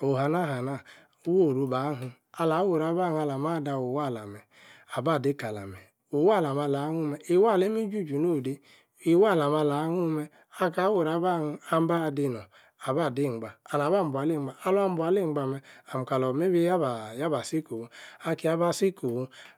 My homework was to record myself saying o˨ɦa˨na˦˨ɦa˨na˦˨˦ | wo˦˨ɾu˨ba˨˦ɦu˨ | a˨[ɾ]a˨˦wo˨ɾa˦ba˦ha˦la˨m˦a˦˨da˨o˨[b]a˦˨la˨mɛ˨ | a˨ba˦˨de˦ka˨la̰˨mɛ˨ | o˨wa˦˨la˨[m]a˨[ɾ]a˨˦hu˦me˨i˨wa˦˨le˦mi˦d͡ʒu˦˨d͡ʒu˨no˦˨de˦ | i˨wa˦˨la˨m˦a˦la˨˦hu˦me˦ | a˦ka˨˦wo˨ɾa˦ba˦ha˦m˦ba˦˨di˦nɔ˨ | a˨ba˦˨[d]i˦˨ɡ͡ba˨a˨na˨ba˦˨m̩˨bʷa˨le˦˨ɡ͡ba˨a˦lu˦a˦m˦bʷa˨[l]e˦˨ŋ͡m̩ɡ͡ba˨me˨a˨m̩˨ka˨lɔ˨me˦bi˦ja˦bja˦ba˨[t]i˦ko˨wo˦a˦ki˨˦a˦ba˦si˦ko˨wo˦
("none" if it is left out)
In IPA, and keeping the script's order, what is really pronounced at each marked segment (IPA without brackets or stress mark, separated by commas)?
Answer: l, w, m, l, d, l, s